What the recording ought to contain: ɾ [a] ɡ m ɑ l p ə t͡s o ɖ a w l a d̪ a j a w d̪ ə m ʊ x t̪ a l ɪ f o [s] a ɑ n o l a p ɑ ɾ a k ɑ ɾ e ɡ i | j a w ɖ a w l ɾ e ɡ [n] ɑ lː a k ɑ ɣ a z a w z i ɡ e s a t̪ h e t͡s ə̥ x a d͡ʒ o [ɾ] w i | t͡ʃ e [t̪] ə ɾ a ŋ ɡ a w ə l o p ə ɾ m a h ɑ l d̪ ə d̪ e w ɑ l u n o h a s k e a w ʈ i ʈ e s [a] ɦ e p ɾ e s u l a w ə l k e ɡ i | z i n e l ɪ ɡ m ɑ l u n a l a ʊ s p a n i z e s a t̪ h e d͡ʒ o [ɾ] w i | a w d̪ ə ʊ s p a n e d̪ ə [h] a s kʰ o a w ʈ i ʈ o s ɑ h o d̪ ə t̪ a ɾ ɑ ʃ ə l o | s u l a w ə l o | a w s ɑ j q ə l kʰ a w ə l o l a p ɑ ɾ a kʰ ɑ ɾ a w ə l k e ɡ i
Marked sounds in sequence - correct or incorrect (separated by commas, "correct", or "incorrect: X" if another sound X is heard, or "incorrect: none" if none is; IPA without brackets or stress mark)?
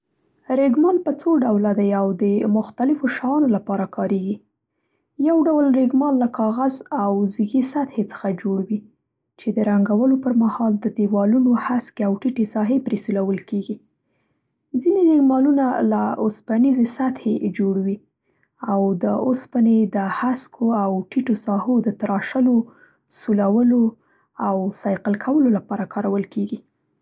incorrect: e, incorrect: ʃ, incorrect: m, incorrect: ɽ, incorrect: d̪, incorrect: ɑ, incorrect: ɽ, correct